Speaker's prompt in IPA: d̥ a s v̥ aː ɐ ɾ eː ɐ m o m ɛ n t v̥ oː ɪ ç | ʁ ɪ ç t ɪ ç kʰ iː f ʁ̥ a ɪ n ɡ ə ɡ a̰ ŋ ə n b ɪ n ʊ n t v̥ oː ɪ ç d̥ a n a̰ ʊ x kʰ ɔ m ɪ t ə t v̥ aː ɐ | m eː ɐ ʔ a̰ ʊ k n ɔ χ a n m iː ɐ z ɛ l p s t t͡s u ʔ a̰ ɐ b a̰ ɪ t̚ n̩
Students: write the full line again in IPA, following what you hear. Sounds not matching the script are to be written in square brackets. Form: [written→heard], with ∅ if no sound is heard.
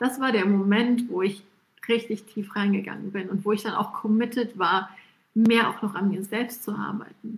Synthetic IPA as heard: d̥ a s v̥ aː ɐ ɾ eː ɐ m o m ɛ n t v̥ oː ɪ ç | ʁ ɪ ç t ɪ ç [kʰ→tʰ] iː f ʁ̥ a ɪ n ɡ ə ɡ a̰ ŋ ə n b ɪ n ʊ n t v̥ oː ɪ ç d̥ a n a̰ ʊ x kʰ ɔ m ɪ t ə t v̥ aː ɐ | m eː ɐ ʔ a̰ ʊ [k→x] n ɔ χ a n m iː ɐ z ɛ l p s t t͡s u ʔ a̰ ɐ b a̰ ɪ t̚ n̩